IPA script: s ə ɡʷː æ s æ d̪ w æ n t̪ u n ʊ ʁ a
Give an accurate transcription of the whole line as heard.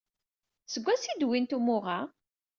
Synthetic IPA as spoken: s ə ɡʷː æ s i d̪ w i n t̪ u m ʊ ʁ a